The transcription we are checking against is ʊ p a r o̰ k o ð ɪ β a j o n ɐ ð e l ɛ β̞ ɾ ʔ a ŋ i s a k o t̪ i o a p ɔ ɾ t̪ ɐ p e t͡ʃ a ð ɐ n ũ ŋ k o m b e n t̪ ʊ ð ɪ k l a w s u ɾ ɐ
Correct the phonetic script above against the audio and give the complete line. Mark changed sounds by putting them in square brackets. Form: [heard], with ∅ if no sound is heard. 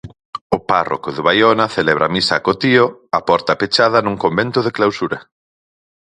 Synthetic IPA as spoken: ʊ p a r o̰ k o ð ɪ β a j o n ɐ [θ] e l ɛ β̞ ɾ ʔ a [m] i s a k o t̪ i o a p ɔ ɾ t̪ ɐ p e t͡ʃ a ð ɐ n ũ ŋ k o m b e n t̪ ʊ ð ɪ k l a w s u ɾ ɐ

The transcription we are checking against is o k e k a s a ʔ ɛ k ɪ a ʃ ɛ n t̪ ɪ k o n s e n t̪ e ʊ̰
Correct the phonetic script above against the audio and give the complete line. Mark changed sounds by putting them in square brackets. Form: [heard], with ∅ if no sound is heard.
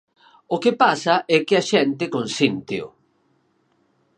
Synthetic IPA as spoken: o k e [p] a s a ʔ ɛ k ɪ a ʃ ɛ n t̪ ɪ k o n s [i] n t̪ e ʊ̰

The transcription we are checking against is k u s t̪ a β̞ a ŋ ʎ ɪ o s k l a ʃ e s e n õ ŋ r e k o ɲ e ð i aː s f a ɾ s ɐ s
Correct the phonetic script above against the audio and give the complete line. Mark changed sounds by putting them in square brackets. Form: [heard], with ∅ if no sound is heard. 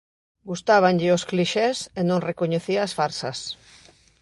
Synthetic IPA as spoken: [ɡ] u s t̪ a β̞ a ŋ ʎ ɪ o s k l [i] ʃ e s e n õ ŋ r e k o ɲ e [θ] i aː s f a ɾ s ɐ s

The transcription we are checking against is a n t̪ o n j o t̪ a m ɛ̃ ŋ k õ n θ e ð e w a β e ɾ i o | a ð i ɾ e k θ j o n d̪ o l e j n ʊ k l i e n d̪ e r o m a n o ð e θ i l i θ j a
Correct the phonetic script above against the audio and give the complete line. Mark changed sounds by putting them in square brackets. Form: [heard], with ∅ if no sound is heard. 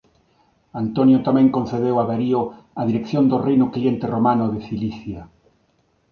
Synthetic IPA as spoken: a n t̪ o n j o t̪ a m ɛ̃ ŋ k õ n θ e ð e w a β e ɾ i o | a ð i ɾ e k θ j o n d̪ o [r] e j n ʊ k l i e n [t̪] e r o m a n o ð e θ i l i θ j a

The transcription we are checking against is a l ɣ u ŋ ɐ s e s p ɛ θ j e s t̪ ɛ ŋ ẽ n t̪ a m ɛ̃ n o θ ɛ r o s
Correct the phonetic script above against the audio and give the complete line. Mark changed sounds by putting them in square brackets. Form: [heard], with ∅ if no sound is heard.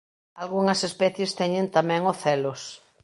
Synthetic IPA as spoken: a l ɣ u ŋ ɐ s e s p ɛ θ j e s t̪ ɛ [ɲ] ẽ n t̪ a m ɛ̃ [ŋ] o θ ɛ [l] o s

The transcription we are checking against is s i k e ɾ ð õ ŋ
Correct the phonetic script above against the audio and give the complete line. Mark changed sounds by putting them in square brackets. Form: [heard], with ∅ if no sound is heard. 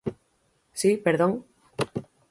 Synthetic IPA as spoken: s i [p] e ɾ ð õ ŋ

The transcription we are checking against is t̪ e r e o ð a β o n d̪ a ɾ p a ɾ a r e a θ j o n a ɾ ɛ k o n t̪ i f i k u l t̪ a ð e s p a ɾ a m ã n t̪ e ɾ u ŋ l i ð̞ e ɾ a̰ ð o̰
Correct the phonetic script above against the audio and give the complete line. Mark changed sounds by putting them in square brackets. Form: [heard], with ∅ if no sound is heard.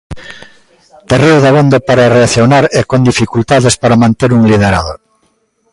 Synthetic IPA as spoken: t̪ e r e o ð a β o n d̪ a [∅] p a ɾ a r e a θ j o n a ɾ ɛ k o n [d̪] i f i k u l t̪ a ð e s p a ɾ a m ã n t̪ e ɾ u ŋ l i ð̞ e ɾ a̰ ð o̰

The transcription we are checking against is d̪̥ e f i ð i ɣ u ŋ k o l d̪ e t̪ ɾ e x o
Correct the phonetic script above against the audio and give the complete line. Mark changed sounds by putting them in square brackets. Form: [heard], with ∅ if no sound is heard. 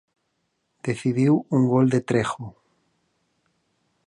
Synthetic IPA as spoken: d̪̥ e [θ] i ð i [w] u ŋ [ɡ] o l d̪ e t̪ ɾ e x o

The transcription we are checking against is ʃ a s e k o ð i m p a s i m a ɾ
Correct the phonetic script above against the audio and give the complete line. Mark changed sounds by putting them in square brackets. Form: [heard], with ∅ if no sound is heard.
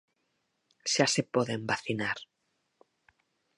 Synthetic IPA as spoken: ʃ a s e [p] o ð [e] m [b] a [θ] i [n] a ɾ

